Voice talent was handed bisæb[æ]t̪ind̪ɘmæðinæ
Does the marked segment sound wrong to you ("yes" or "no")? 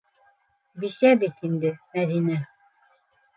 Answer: yes